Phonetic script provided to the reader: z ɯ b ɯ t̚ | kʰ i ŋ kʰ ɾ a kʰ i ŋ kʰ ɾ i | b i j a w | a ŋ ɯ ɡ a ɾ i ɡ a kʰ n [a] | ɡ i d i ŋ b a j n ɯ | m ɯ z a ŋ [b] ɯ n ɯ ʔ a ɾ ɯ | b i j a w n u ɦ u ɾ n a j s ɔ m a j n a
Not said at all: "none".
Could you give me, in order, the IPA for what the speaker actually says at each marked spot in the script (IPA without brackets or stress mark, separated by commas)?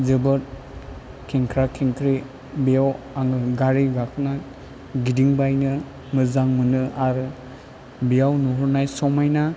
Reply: a, m